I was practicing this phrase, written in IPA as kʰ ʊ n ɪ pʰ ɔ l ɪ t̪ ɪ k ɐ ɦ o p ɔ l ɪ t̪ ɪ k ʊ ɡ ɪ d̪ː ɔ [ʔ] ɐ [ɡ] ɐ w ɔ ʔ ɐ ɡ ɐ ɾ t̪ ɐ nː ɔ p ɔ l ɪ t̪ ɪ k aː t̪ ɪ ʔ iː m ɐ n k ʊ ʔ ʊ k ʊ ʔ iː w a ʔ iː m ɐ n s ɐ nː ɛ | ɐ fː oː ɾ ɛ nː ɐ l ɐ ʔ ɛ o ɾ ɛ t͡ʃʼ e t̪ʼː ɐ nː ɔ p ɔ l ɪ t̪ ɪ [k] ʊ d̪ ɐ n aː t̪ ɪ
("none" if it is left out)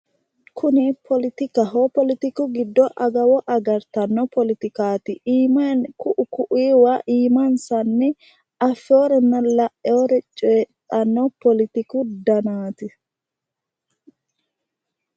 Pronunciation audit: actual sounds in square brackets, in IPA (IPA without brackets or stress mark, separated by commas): ʔ, ɡ, k